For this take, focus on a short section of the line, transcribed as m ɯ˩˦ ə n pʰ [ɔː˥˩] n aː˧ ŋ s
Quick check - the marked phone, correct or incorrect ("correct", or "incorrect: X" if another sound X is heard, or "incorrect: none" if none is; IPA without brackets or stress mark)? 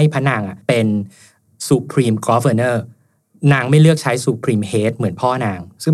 correct